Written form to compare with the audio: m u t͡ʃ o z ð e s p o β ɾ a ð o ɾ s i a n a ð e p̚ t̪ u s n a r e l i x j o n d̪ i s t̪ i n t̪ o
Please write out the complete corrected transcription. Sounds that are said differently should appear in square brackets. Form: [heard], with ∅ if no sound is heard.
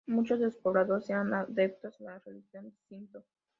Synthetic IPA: m u t͡ʃ o z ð e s p o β ɾ a ð o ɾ s [e] a n a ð e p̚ t̪ [o] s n a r e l i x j o n d̪ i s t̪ i n t̪ o